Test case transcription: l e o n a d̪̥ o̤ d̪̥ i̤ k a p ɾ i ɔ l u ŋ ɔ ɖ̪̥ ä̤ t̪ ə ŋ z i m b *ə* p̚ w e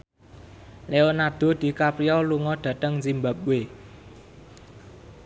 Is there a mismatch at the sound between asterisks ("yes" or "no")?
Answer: yes